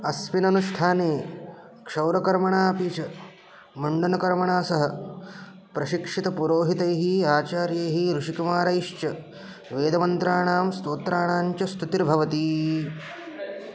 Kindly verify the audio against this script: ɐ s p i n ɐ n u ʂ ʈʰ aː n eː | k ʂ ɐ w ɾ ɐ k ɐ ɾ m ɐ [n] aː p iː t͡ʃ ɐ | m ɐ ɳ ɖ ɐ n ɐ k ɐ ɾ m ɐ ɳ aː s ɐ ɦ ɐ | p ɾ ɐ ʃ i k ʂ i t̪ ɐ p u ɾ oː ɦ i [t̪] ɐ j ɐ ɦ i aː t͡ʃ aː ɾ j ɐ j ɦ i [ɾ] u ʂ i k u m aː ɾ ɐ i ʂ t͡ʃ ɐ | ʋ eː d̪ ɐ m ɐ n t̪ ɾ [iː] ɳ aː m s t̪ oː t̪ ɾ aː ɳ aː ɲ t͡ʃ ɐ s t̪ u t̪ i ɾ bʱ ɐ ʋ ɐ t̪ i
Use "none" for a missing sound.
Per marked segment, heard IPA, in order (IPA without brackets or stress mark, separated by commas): ɳ, t̪, ɾ, aː